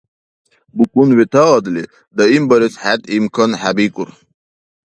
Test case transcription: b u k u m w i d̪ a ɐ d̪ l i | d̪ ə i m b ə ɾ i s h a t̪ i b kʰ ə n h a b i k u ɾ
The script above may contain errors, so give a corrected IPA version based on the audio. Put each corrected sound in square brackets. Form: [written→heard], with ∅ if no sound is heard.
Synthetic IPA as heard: b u k u [m→n] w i [d̪→t̪] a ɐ d̪ l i | d̪ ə i m b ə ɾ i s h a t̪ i [b→m] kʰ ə n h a b i k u ɾ